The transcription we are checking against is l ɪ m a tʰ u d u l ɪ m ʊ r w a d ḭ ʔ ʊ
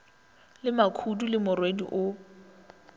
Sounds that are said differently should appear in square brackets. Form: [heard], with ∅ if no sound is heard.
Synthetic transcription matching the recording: l ɪ m a [kʰ] u d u l ɪ m ʊ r w [e] d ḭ ʔ ʊ